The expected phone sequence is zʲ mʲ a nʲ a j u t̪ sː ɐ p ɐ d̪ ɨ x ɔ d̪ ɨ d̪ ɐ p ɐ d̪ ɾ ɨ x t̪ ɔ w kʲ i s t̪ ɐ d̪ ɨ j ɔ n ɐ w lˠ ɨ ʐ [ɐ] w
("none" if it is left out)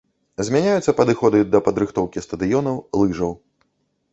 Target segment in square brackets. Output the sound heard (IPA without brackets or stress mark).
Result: ɐ